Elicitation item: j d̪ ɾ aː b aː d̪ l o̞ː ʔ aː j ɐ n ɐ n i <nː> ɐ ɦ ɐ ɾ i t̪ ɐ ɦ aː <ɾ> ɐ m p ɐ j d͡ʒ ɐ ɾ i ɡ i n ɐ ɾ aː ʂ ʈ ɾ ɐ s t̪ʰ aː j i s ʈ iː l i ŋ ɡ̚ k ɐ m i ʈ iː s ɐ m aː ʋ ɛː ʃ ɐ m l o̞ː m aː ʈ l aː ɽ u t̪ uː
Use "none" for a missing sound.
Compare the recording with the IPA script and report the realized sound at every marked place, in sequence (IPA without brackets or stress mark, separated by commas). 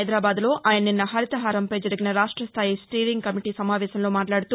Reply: nː, ɾ